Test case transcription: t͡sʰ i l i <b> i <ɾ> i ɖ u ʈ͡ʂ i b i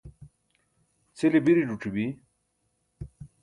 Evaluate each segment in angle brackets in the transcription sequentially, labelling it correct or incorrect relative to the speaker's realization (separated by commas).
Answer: correct, correct